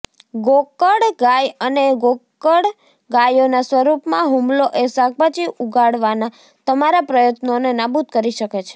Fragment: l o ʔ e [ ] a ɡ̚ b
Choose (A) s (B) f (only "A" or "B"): A